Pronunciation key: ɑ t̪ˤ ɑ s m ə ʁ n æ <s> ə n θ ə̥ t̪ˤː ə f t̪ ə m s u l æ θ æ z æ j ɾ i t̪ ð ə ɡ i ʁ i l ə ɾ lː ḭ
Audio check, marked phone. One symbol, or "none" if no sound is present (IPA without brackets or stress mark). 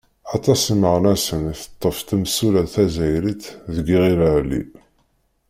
s